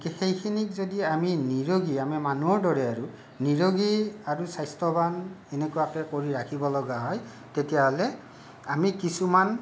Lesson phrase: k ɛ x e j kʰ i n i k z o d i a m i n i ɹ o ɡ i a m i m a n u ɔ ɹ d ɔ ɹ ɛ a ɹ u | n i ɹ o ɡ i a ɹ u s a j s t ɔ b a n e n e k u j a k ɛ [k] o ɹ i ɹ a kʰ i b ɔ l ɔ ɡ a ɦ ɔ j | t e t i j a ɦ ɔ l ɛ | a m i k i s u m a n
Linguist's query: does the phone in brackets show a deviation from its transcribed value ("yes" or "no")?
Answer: no